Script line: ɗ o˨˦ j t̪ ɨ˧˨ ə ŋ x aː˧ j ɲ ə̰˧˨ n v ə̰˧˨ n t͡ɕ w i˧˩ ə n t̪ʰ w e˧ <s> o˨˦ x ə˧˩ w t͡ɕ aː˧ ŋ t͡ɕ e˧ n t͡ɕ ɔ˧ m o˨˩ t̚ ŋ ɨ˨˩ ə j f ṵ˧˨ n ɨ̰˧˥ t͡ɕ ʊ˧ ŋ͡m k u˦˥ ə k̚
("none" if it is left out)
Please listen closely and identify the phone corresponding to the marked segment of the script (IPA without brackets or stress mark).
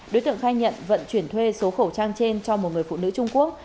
s